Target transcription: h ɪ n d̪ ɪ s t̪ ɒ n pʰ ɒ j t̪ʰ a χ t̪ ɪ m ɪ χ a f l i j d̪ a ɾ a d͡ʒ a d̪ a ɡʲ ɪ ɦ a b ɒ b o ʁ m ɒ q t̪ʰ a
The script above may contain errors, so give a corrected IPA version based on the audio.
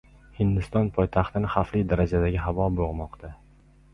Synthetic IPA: h ɪ n d̪ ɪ s t̪ ɒ n pʰ ɒ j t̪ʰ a χ t̪ ɪ n ɪ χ a f l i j d̪ a ɾ a d͡ʒ a d̪ a ɡʲ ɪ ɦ a v ɒ b o ʁ m ɒ q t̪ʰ a